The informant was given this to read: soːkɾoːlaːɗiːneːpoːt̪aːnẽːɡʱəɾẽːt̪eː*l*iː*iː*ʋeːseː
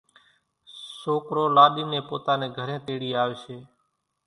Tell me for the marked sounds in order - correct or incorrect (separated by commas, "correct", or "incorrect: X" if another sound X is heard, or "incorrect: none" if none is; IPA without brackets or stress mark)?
incorrect: ɽ, incorrect: aː